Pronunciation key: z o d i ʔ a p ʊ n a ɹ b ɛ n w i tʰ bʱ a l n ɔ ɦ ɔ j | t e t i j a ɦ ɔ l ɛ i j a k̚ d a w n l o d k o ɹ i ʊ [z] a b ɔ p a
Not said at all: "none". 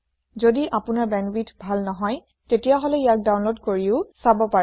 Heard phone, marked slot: s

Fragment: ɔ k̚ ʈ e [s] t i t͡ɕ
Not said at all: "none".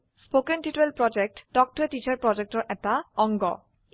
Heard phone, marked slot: none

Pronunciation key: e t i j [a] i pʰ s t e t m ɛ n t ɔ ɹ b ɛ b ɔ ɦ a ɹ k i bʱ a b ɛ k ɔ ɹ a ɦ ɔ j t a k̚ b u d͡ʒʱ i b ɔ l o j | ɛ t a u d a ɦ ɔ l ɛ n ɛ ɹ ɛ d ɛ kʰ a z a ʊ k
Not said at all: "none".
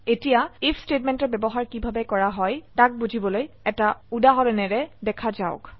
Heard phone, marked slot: a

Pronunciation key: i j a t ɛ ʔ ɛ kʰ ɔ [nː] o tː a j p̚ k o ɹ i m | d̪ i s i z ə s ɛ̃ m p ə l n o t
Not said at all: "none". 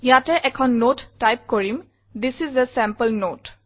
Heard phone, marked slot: nː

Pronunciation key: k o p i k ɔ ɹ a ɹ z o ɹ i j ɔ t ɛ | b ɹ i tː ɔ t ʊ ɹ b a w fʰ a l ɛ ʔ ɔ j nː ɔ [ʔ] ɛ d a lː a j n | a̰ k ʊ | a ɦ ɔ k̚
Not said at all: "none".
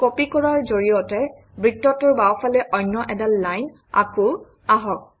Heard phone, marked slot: ʔ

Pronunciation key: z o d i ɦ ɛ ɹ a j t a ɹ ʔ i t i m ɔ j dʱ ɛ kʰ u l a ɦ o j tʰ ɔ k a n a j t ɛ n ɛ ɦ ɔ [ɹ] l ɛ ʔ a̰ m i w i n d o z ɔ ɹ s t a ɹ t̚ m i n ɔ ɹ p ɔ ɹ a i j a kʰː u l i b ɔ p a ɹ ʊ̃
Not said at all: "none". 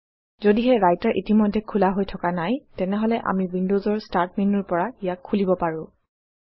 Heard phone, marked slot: none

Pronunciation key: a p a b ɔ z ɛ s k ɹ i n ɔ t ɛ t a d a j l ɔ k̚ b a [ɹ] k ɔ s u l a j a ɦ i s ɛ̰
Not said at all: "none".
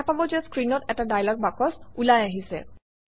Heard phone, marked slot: none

